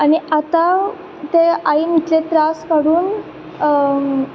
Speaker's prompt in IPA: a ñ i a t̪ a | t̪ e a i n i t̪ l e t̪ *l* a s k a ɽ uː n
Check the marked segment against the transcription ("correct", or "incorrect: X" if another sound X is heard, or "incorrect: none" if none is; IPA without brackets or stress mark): incorrect: ɾ